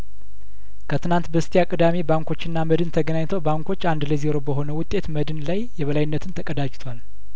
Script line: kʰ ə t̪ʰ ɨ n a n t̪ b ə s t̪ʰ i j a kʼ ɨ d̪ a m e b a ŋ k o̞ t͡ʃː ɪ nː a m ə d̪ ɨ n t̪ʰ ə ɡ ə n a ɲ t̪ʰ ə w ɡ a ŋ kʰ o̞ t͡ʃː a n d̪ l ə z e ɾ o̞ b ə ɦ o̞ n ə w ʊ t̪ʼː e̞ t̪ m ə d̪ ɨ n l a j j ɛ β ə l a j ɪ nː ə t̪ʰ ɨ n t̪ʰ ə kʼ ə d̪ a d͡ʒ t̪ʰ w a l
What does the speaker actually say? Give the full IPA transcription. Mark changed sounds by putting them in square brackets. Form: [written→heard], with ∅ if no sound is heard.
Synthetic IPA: kʰ ə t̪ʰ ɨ n a n t̪ b ə s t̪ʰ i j a kʼ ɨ d̪ a m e b a ŋ k o̞ t͡ʃː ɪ nː a m ə d̪ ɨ n t̪ʰ ə ɡ ə n a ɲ t̪ʰ ə w [ɡ→b] a ŋ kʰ o̞ t͡ʃː a n d̪ l ə z e ɾ o̞ b ə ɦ o̞ n ə w ʊ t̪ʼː e̞ t̪ m ə d̪ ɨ n l a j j ɛ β ə l a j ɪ nː ə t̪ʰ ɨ n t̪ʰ ə kʼ ə d̪ a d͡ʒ t̪ʰ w a l